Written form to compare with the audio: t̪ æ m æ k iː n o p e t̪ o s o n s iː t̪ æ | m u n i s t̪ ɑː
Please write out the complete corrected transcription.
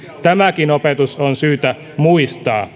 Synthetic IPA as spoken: t̪ æ m æ k i n o p e t̪ u s o n s yː t̪ æ | m u i s t̪ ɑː